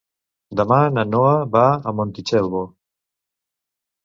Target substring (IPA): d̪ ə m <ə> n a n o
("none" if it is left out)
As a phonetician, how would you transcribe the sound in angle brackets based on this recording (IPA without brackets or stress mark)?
a